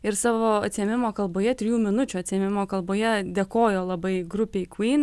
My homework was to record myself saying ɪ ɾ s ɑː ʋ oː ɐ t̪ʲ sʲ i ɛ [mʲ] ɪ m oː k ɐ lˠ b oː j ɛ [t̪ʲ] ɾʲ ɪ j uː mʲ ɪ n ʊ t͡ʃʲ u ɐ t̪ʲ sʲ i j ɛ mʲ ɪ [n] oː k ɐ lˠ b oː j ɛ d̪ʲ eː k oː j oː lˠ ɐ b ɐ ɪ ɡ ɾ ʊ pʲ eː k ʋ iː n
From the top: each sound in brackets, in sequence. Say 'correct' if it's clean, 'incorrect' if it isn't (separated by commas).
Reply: correct, correct, incorrect